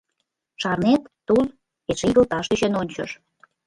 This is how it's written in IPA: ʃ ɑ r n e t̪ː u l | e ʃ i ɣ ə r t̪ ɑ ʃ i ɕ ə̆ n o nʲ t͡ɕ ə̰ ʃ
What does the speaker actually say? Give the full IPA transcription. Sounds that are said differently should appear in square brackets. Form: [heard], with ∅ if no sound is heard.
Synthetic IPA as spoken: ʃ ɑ r n e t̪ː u l | e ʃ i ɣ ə [l] t̪ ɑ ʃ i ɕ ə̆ n o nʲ t͡ɕ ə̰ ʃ

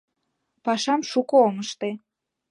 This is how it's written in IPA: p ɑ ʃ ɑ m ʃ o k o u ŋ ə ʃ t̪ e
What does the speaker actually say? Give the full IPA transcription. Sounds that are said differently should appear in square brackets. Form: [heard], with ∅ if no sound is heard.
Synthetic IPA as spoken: p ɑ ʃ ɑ m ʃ [u] k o [o] ŋ ə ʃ t̪ e

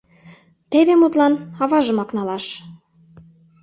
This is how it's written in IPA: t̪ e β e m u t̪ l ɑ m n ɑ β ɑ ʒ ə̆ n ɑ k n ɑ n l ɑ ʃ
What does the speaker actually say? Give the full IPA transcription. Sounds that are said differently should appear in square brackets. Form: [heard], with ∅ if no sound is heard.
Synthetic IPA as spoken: t̪ e β e m u t̪ l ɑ [∅] n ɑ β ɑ ʒ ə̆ [m] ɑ k n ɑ [∅] l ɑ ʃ

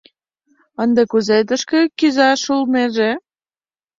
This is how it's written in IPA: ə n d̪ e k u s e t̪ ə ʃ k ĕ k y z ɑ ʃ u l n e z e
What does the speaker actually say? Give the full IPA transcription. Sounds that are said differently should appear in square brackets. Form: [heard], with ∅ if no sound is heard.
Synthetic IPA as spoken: ə n d̪ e k u [z] e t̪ ə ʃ k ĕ k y z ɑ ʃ u l [m] e [ʒ] e

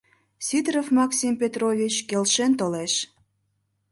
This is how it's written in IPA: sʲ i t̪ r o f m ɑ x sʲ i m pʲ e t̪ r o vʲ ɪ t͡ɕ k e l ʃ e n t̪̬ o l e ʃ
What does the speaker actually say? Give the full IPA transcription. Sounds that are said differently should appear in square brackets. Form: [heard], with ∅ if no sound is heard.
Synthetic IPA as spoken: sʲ i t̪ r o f m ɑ [k] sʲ i m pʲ e t̪ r o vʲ [i] t͡ɕ k e l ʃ e n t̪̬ o l e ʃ

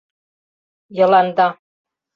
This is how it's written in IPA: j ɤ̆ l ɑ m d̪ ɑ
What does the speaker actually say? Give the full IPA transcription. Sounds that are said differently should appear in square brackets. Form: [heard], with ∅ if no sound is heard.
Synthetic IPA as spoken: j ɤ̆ l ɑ [n] d̪ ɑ

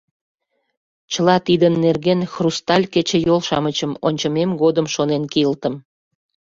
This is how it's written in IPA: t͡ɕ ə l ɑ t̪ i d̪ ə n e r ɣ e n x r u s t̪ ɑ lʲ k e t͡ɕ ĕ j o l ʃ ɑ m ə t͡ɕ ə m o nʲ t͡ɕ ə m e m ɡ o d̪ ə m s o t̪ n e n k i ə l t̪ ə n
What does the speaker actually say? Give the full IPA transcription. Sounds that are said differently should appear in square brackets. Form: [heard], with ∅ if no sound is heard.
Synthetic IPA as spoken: t͡ɕ ə l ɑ t̪ i d̪ ə [nː] e r ɣ e n x r u s t̪ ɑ lʲ k e t͡ɕ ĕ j o l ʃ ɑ m ə t͡ɕ ə m o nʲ t͡ɕ ə m e m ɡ o d̪ ə m [ʃ] o [∅] n e n k i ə l t̪ ə [m]

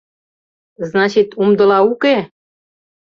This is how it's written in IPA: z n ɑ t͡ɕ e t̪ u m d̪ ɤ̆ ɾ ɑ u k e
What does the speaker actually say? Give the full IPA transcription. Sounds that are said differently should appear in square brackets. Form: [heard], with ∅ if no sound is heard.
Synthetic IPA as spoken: z n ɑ t͡ɕ [i] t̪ u m d̪ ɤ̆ [l] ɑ u k e

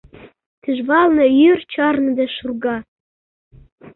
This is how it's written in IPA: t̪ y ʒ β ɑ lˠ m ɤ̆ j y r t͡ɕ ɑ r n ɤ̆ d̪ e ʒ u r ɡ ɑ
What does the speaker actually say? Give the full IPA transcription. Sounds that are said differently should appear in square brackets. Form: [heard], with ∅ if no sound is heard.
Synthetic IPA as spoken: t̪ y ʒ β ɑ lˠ [n] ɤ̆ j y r t͡ɕ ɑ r n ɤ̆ d̪ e [ʃ] u r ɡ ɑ

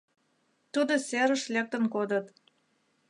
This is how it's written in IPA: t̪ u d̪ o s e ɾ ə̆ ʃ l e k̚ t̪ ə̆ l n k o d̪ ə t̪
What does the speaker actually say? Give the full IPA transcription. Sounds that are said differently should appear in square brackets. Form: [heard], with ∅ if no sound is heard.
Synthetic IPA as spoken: t̪ u d̪ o s e ɾ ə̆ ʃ l e k̚ t̪ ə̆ [∅] n k o d̪ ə t̪

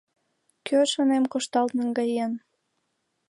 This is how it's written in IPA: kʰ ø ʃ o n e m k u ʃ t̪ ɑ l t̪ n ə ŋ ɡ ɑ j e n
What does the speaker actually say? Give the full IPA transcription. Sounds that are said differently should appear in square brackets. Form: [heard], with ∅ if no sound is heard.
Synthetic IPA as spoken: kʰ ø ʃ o n e m k [o] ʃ t̪ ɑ l t̪ n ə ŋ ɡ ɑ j e n

